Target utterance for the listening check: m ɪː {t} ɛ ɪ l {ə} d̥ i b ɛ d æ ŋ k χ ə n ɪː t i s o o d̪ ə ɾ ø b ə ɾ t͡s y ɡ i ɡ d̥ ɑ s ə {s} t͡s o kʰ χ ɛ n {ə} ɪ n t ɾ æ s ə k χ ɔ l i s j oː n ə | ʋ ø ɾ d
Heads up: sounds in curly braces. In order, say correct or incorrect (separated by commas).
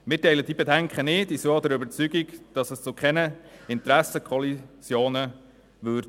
correct, correct, correct, correct